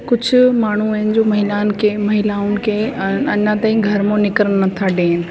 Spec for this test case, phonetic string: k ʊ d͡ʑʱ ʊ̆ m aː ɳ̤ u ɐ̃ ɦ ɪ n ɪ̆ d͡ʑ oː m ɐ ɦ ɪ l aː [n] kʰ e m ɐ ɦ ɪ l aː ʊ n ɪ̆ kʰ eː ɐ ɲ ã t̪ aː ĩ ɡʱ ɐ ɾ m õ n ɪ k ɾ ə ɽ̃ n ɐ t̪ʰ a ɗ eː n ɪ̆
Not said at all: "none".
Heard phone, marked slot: n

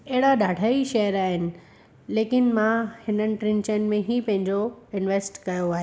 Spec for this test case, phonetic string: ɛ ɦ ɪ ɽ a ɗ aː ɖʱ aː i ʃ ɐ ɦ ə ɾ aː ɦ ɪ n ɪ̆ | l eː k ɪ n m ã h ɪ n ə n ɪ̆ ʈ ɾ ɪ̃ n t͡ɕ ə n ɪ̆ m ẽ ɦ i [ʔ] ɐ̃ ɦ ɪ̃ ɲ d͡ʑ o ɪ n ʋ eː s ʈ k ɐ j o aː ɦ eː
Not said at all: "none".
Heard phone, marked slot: p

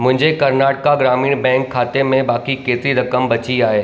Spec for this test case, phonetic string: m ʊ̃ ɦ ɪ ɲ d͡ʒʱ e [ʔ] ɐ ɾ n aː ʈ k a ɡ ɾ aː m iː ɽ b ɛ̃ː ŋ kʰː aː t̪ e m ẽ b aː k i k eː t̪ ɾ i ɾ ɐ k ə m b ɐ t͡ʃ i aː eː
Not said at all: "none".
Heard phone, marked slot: k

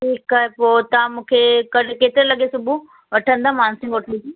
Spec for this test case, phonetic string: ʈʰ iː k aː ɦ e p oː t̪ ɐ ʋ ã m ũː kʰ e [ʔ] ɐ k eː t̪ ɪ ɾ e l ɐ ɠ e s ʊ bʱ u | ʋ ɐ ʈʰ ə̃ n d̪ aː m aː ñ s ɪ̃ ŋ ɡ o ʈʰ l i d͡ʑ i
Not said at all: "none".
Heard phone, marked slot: k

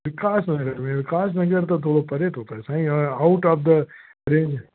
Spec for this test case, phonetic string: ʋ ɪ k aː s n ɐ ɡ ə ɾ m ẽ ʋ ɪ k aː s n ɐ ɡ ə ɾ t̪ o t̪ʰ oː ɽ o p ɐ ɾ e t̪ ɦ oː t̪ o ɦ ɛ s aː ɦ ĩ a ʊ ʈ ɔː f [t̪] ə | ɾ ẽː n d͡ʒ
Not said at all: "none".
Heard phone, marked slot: d̪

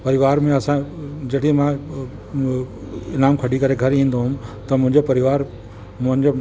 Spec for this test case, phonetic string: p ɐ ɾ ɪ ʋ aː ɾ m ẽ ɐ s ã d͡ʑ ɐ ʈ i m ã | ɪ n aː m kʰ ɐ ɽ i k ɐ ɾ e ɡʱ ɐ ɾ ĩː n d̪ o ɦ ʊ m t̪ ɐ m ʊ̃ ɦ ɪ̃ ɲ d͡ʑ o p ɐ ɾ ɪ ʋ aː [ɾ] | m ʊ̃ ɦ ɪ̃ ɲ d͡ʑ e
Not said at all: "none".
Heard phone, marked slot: ɾ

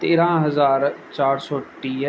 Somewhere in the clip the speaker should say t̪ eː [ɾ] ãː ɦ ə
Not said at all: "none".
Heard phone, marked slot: ɾ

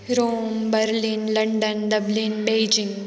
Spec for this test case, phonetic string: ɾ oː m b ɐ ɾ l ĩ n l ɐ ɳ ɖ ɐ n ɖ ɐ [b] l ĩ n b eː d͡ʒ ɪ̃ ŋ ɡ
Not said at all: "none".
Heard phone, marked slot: b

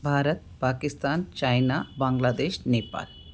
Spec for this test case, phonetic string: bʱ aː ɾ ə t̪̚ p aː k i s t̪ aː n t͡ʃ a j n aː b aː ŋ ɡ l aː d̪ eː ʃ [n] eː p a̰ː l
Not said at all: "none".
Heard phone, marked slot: n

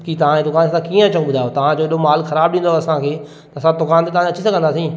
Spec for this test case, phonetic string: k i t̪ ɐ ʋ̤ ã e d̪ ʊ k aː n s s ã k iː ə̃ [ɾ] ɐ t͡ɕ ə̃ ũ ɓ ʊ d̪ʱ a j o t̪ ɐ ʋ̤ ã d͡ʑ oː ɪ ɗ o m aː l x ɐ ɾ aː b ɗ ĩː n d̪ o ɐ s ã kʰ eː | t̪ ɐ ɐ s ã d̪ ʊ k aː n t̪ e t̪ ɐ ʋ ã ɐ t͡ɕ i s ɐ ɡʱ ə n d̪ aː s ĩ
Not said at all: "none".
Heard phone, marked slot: none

